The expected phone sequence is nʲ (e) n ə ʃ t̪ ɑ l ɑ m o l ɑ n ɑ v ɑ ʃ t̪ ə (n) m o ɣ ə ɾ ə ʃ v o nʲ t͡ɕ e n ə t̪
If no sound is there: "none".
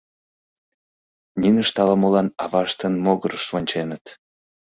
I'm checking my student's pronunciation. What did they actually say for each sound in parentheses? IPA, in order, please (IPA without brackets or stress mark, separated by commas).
i, n